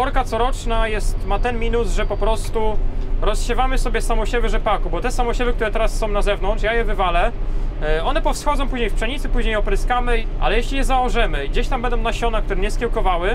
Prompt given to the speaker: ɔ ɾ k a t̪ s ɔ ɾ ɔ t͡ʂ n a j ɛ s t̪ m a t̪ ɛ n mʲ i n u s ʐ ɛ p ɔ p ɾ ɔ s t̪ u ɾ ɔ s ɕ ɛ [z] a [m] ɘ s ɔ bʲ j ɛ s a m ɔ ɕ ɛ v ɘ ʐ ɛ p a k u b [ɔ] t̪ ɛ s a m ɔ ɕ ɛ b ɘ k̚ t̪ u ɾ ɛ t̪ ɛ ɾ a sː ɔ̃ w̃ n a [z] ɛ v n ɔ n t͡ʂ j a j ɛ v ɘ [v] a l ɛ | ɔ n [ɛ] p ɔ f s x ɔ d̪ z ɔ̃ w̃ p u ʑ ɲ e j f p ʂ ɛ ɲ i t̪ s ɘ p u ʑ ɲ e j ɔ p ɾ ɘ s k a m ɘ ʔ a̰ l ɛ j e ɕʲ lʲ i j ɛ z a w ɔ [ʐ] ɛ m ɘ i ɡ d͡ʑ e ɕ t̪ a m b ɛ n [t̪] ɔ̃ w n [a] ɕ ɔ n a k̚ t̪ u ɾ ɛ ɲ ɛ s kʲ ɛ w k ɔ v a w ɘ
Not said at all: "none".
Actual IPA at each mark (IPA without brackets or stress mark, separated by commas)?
v, m, ɔ, z, v, ɛ, ʐ, d̪, a